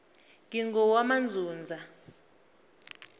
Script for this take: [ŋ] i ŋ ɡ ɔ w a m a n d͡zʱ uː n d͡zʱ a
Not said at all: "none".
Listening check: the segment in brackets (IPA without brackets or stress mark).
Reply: ŋ